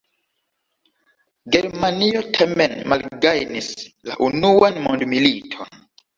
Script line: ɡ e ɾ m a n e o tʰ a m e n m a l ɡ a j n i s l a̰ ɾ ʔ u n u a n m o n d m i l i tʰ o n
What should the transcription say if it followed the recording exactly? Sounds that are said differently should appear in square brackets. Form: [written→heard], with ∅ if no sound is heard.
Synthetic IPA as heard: ɡ e ɾ m a n [e→i] o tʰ a m e n m a l ɡ a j n i s l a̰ [ɾ→∅] ʔ u n u a n m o n d m i l i tʰ o n